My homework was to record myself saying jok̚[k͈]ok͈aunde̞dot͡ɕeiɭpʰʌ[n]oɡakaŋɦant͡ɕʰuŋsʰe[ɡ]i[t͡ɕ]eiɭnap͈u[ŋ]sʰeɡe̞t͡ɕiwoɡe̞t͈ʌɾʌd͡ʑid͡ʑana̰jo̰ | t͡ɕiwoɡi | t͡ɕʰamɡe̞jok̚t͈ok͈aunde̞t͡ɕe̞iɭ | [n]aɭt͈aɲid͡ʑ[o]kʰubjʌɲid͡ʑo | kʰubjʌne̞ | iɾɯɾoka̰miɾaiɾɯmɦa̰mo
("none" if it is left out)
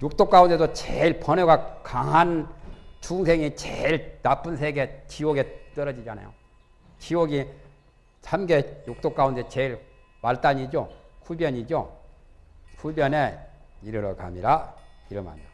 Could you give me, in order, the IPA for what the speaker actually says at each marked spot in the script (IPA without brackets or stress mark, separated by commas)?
t͈, n, ŋ, t͡ɕ, n, m, o